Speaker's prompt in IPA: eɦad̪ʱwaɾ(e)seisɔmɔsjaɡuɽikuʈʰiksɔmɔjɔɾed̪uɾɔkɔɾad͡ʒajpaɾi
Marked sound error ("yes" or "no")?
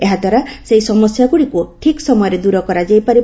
yes